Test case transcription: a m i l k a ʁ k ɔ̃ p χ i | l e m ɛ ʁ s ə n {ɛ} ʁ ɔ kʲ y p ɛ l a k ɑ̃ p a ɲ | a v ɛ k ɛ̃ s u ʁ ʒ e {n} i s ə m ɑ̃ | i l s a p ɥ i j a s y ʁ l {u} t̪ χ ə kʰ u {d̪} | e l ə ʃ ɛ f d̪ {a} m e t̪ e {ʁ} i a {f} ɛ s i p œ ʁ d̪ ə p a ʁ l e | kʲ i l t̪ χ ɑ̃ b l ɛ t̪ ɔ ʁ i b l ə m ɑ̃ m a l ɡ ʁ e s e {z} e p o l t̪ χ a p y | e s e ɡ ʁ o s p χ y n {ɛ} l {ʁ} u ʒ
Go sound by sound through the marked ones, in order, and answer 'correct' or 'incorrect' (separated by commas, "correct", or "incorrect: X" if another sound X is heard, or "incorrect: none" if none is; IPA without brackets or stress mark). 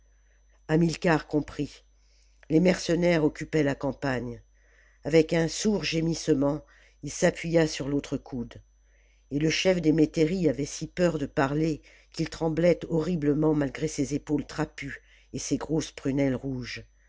correct, incorrect: m, incorrect: o, correct, incorrect: e, correct, incorrect: v, correct, correct, correct